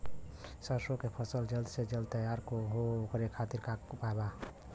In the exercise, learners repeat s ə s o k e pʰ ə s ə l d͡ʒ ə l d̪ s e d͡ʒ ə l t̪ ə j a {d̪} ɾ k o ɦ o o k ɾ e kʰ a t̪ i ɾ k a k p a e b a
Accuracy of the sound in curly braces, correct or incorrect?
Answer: incorrect